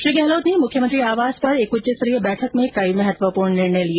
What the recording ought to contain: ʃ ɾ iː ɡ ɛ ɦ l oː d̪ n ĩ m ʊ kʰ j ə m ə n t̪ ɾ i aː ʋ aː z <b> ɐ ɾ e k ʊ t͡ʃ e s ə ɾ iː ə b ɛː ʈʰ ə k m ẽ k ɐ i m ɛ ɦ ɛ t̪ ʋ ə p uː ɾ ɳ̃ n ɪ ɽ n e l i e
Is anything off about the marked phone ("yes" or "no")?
yes